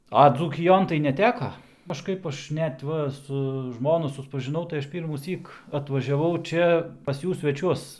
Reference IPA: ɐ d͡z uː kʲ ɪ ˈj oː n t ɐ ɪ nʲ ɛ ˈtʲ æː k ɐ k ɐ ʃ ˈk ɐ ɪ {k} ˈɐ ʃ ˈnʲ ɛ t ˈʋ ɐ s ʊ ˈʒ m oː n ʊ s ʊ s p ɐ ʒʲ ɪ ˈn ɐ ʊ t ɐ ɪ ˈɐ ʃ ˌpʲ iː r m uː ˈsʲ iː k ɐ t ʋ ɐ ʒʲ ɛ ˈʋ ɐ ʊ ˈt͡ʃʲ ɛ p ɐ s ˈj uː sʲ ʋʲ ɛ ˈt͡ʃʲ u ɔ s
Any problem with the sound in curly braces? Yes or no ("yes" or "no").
yes